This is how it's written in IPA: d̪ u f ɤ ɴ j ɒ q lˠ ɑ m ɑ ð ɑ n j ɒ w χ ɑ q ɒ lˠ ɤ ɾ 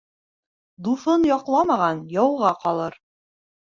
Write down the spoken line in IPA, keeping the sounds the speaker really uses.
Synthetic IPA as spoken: d̪ u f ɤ n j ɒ q lˠ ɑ m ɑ ʁ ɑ n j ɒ w ʁ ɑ q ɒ lˠ ɤ ɾ